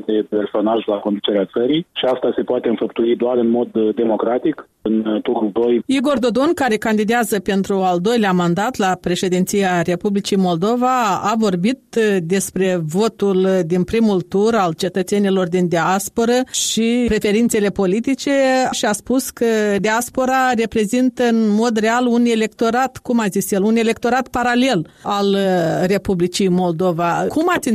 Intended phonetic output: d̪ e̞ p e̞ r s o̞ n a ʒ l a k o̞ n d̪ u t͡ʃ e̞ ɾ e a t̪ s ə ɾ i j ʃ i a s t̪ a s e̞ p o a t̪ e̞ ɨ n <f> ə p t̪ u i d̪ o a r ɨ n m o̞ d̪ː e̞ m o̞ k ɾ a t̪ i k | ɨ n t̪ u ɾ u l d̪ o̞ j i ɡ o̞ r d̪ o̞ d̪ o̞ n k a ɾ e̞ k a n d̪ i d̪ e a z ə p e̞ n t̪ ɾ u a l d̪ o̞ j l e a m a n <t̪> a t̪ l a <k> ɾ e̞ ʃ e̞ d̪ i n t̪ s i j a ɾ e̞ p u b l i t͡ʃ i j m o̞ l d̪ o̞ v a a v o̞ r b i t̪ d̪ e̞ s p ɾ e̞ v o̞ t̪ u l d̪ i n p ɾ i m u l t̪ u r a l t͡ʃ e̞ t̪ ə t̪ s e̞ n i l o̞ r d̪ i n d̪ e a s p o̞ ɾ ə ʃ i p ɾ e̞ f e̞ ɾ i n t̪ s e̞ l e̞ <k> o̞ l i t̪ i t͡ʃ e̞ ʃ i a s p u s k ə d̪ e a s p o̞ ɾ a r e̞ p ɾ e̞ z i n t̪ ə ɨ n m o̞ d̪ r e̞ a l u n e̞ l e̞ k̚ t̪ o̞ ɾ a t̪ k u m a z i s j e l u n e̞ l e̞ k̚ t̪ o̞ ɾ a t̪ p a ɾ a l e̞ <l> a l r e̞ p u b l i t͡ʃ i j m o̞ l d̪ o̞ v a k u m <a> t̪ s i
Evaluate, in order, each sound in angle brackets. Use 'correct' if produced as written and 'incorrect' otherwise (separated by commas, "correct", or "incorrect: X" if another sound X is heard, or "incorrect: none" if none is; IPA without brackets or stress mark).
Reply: correct, incorrect: d̪, incorrect: p, incorrect: p, correct, correct